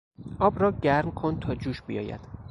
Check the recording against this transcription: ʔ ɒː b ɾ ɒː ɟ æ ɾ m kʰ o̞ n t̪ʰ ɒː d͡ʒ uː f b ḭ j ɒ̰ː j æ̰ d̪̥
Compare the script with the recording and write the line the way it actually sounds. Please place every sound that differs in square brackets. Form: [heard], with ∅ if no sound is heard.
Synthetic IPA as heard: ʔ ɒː b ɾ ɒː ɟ æ ɾ m kʰ o̞ n t̪ʰ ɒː d͡ʒ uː [ʃ] b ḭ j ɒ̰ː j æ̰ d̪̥